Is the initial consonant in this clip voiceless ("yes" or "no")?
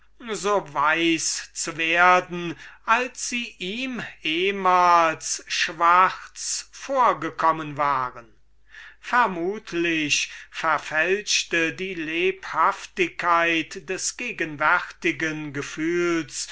no